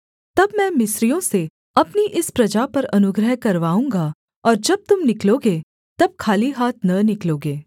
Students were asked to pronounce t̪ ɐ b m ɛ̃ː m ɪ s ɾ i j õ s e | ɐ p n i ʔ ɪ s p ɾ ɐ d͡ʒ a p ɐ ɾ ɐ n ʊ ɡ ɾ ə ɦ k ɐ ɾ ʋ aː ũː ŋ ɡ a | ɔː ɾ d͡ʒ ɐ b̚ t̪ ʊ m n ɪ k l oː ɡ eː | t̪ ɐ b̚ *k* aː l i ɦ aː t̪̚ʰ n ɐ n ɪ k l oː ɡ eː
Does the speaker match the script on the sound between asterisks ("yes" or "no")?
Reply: no